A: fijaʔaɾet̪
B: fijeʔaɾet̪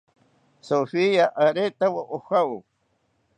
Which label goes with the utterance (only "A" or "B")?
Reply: A